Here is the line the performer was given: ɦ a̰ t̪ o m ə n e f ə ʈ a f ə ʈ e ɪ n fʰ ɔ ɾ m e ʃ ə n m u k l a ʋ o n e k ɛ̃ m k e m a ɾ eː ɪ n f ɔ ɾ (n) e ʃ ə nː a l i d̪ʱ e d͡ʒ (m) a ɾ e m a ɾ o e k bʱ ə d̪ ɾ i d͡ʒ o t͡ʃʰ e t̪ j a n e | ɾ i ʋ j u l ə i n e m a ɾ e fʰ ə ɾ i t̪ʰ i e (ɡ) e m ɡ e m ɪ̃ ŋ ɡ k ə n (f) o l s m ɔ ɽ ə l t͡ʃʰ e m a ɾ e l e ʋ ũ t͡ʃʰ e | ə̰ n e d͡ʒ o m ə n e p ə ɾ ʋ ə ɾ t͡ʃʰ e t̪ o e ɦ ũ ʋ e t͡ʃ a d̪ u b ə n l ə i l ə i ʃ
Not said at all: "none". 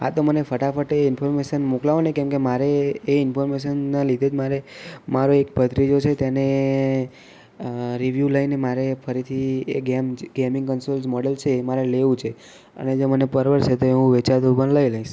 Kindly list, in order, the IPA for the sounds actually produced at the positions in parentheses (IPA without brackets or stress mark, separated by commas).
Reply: m, m, ɡ, s